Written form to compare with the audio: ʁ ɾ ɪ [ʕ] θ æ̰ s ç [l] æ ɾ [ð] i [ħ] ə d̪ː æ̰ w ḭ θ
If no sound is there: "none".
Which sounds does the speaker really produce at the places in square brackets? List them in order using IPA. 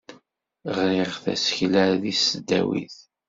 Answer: ʁ, l, ð, s

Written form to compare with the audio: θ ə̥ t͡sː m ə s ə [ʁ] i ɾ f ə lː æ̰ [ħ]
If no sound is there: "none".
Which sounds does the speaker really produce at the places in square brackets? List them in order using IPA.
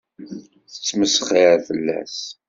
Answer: χ, s

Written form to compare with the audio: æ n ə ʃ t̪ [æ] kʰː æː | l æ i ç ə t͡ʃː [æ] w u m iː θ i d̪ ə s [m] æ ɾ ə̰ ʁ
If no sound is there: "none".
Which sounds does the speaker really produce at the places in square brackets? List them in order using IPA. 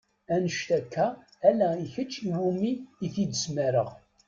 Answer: æ, i, m

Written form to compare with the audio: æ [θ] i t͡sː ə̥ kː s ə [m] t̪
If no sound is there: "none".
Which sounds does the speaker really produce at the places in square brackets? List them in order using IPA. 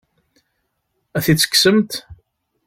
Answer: θ, m

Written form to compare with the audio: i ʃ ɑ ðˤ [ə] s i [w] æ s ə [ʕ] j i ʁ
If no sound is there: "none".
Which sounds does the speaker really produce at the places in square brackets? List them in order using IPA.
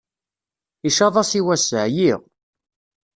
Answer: ɑ, w, ʕ

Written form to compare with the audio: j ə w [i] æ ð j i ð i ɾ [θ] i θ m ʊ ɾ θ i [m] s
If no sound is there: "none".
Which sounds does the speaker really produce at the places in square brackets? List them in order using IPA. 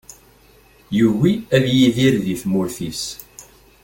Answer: i, ð, none

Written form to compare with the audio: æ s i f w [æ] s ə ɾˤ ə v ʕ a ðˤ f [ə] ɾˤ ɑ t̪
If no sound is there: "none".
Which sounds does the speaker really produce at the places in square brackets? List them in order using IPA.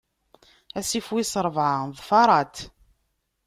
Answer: i, ɑ

